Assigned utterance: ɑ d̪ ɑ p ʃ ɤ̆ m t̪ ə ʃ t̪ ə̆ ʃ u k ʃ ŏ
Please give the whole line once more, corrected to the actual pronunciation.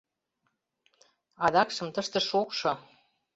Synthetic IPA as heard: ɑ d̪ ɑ k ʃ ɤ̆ m t̪ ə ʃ t̪ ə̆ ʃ o k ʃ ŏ